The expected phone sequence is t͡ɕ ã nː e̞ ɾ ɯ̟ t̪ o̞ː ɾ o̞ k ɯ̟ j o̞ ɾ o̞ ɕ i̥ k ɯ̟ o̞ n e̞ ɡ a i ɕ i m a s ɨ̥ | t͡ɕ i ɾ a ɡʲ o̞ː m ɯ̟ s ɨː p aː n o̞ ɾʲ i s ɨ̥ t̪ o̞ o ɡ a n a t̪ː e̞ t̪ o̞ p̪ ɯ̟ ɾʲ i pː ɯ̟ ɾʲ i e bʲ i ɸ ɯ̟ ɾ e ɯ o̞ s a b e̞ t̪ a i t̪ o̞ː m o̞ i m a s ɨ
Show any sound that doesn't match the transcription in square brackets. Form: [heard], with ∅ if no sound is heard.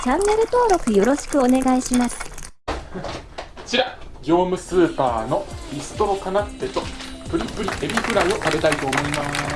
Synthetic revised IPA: t͡ɕ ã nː e̞ ɾ ɯ̟ t̪ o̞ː ɾ o̞ k ɯ̟ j o̞ ɾ o̞ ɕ i̥ k ɯ̟ o̞ n e̞ ɡ a i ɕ i m a s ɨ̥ | t͡ɕ i ɾ a ɡʲ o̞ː m ɯ̟ s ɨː p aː n o̞ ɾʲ i s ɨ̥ t̪ o̞ o [k] a n a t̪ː e̞ t̪ o̞ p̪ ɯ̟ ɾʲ i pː ɯ̟ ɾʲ i e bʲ i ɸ ɯ̟ ɾ [a] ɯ o̞ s a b e̞ t̪ a i t̪ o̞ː m o̞ i m a s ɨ

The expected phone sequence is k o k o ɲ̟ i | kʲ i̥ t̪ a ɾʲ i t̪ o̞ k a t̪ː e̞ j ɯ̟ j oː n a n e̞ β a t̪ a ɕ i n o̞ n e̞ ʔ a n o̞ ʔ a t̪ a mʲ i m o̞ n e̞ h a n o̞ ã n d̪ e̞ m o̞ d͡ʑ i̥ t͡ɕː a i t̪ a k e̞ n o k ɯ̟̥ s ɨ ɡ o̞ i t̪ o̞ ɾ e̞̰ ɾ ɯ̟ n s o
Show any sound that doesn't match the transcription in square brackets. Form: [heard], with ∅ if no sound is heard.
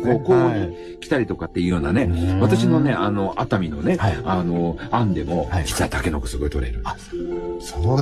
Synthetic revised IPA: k o k o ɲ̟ i | kʲ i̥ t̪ a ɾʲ i t̪ o̞ k a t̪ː e̞ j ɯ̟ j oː n a n e̞ β a t̪ a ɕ i n o̞ n e̞ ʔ a n o̞ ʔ a t̪ a mʲ i [n] o̞ n e̞ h a n o̞ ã n d̪ e̞ m o̞ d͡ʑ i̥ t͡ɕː a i t̪ a k e̞ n o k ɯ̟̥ s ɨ ɡ o̞ i t̪ o̞ ɾ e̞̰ ɾ ɯ̟ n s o

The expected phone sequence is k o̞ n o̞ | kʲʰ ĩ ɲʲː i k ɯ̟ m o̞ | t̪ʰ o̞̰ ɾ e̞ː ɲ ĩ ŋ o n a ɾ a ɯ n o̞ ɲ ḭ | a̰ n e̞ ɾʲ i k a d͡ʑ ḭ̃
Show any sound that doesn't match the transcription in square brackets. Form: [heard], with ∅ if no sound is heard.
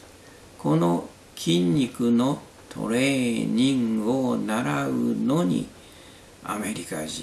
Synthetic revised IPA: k o̞ n o̞ | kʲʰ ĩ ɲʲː i k ɯ̟ [n] o̞ | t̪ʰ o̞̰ ɾ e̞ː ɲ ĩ ŋ o n a ɾ a ɯ n o̞ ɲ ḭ | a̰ [m] e̞ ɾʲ i k a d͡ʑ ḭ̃

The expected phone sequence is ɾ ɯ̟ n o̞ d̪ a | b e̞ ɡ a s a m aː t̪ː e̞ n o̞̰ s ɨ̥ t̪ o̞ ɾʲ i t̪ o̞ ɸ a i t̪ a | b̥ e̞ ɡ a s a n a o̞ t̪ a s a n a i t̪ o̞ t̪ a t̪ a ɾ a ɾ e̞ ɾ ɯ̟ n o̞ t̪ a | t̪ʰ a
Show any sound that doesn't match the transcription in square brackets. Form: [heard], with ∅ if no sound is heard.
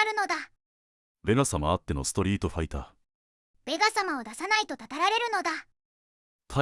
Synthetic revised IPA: ɾ ɯ̟ n o̞ d̪ a | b e̞ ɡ a s a m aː t̪ː e̞ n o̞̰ s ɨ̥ t̪ o̞ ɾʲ [iː] t̪ o̞ ɸ a i t̪ a | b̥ e̞ ɡ a s a [m] a o̞ [d̪] a s a n a i t̪ o̞ t̪ a t̪ a ɾ a ɾ e̞ ɾ ɯ̟ n o̞ [d̪] a | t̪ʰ a

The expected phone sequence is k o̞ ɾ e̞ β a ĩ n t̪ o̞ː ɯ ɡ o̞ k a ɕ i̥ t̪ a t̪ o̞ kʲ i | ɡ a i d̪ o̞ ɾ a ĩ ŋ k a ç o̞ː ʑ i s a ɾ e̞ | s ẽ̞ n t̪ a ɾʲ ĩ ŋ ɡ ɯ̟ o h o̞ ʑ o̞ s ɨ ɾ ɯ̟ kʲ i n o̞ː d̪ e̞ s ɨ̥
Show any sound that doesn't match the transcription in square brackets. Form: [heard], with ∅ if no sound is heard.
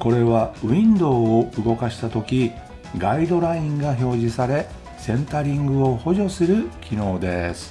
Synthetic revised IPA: k o̞ ɾ e̞ β a ĩ n [d̪] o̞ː ɯ ɡ o̞ k a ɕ i̥ t̪ a t̪ o̞ kʲ i | ɡ a i d̪ o̞ ɾ a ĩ ŋ [ɡ] a ç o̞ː ʑ i s a ɾ e̞ | s ẽ̞ n t̪ a ɾʲ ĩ ŋ ɡ ɯ̟ o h o̞ ʑ o̞ s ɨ ɾ ɯ̟ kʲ i n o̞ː d̪ e̞ s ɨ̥

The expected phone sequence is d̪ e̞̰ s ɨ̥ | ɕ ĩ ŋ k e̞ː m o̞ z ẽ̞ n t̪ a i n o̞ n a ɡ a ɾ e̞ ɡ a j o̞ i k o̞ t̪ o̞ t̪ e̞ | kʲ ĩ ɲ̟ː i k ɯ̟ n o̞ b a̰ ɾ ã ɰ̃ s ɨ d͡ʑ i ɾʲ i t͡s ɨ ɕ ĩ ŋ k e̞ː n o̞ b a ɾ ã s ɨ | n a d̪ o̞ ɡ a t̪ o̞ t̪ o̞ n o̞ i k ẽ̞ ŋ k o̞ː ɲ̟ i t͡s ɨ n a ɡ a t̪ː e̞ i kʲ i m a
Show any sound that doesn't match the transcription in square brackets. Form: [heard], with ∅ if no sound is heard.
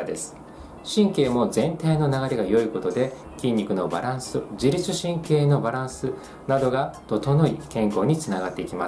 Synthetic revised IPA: d̪ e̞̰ s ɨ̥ | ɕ ĩ ŋ k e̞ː m o̞ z ẽ̞ n t̪ a i n o̞ n a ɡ a ɾ e̞ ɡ a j o̞ i k o̞ t̪ o̞ [d̪] e̞ | kʲ ĩ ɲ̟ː i k ɯ̟ n o̞ b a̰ ɾ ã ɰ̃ s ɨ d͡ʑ i ɾʲ i t͡s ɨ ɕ ĩ ŋ k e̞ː n o̞ b a ɾ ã s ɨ | n a d̪ o̞ ɡ a t̪ o̞ t̪ o̞ n o̞ i k ẽ̞ ŋ k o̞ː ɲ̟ i t͡s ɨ n a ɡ a t̪ː e̞ i kʲ i m a

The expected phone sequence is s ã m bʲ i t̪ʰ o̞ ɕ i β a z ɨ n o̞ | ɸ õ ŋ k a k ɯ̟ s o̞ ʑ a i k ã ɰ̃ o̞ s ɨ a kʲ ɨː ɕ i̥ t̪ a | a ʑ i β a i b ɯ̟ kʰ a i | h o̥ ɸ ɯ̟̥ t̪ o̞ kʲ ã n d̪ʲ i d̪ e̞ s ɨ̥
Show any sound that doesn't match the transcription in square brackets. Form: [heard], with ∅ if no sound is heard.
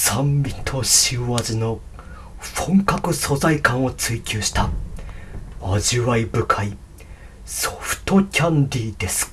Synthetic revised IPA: s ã m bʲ i t̪ʰ o̞ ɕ i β a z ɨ n o̞ | ɸ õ ŋ k a k ɯ̟ s o̞ [z] a i k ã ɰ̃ o̞ [t͡s] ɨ [i] kʲ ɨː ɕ i̥ t̪ a | a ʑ i β a i b ɯ̟ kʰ a i | [s] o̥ ɸ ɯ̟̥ t̪ o̞ kʲ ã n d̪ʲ i d̪ e̞ s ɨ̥

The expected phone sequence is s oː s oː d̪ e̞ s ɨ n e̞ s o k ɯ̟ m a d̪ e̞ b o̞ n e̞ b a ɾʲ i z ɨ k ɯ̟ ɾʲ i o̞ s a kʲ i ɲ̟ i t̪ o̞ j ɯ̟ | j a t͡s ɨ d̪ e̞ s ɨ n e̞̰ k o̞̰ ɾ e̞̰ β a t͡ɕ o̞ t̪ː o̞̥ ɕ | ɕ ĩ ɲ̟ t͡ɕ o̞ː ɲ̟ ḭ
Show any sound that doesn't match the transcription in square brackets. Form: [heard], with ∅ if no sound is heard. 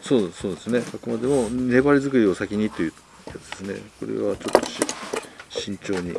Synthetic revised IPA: s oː s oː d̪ e̞ s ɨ n e̞ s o k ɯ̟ m a d̪ e̞ [m] o̞ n e̞ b a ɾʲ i z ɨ k ɯ̟ ɾʲ i o̞ s a kʲ i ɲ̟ i t̪ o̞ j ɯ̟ | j a t͡s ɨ d̪ e̞ s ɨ n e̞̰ k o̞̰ ɾ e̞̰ β a t͡ɕ o̞ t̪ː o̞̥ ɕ | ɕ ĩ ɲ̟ t͡ɕ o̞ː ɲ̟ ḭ

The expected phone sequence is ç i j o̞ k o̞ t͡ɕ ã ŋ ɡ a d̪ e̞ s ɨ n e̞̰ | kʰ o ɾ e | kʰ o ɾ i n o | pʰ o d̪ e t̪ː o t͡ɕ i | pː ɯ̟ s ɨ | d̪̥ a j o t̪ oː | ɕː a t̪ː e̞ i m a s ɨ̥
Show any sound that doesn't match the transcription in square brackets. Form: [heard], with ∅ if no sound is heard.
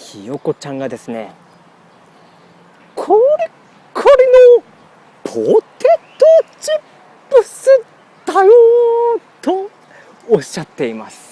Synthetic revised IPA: ç i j o̞ k o̞ t͡ɕ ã ŋ ɡ a d̪ e̞ s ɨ n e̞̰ | kʰ o ɾ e | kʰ o ɾ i n o | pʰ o [t̪] e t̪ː o t͡ɕ i | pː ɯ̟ s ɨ | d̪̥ a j o t̪ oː | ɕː a t̪ː e̞ i m a s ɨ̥

